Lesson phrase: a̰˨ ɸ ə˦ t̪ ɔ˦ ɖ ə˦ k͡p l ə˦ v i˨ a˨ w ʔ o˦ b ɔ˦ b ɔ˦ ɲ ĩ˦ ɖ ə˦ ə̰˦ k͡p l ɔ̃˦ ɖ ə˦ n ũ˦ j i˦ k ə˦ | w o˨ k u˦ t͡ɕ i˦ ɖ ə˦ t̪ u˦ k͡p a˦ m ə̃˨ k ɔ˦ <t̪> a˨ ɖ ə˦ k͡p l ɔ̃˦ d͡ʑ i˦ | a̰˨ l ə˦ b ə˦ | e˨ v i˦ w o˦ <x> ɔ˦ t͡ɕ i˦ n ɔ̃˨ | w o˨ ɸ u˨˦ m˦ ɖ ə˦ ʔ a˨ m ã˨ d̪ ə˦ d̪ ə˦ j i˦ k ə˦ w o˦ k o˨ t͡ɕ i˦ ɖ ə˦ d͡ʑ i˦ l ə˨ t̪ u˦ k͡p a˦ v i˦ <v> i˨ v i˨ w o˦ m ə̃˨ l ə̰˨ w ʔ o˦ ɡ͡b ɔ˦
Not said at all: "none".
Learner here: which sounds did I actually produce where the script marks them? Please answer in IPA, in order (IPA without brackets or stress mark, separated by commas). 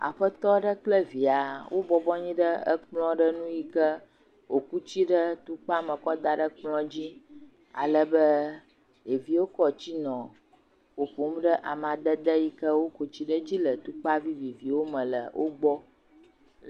d̪, k, v